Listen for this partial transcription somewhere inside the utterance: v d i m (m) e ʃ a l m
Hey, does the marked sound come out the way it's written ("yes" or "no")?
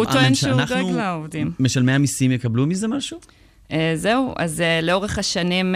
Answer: yes